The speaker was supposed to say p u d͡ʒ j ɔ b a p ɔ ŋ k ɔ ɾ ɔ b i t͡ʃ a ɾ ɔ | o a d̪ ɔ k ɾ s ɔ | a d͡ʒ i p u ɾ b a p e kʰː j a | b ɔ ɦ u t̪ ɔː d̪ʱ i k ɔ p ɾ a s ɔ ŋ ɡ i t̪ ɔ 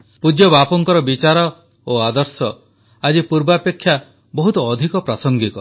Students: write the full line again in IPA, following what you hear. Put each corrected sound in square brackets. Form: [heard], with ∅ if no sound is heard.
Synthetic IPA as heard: p u d͡ʒ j ɔ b a p ɔ ŋ k ɔ ɾ ɔ b i t͡ʃ a ɾ ɔ | o a d̪ ɔ [∅] ɾ s ɔ | a d͡ʒ i p u ɾ b a p e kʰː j a | b ɔ ɦ u t̪ ɔː d̪ʱ i k ɔ p ɾ a s ɔ ŋ ɡ i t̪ ɔ

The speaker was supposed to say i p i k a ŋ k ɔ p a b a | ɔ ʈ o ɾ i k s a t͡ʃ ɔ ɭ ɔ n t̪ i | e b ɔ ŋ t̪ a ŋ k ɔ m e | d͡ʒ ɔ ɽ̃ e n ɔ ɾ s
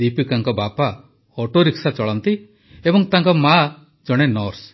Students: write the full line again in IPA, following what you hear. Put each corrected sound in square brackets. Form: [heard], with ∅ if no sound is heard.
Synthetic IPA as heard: i p i k a ŋ k ɔ [b] a [p] a | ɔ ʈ o ɾ i k s a t͡ʃ ɔ ɭ ɔ n t̪ i | e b ɔ ŋ t̪ a ŋ k ɔ m [a] | d͡ʒ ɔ ɽ̃ e n ɔ ɾ s

